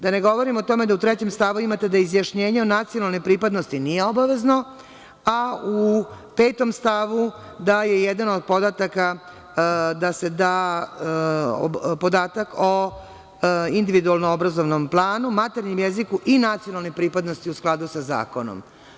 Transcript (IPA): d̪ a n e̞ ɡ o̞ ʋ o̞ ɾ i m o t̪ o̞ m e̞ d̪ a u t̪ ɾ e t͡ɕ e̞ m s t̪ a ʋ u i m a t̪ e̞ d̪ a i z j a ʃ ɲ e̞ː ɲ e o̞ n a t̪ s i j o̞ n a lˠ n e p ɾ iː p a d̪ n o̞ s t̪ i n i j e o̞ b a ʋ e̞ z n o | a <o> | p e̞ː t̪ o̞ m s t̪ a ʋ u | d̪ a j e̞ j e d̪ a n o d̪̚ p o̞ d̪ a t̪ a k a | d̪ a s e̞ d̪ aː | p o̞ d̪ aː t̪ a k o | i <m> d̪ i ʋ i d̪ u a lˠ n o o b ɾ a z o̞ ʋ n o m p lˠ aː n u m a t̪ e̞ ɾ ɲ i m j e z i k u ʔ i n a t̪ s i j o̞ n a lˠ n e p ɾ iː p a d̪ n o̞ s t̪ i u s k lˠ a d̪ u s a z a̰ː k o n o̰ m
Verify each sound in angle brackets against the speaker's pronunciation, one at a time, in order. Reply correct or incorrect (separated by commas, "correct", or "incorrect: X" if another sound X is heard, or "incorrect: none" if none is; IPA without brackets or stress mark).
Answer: incorrect: u, incorrect: n